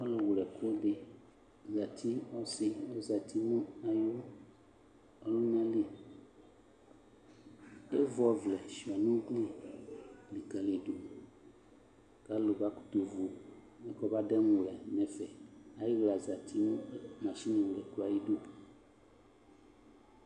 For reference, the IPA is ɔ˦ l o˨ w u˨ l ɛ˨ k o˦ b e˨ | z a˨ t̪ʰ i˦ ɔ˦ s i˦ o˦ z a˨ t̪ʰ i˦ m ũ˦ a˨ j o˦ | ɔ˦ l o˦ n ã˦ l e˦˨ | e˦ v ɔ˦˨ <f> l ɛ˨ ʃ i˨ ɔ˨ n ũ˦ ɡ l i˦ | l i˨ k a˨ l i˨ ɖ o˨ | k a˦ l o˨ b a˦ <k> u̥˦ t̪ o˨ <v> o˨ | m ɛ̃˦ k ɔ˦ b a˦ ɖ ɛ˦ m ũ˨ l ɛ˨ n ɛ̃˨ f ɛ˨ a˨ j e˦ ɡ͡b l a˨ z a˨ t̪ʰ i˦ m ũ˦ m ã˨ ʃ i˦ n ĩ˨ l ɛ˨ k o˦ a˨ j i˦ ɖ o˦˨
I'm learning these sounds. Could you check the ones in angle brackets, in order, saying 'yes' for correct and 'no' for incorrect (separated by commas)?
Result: no, yes, yes